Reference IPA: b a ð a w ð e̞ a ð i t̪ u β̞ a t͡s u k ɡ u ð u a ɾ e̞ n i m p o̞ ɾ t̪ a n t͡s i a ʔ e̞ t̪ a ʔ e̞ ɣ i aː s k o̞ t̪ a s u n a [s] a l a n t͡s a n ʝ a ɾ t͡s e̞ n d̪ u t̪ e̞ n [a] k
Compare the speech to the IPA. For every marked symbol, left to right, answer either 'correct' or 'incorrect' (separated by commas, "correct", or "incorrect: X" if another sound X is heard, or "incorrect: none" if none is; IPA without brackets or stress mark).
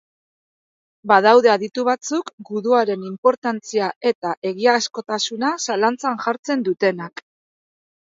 correct, correct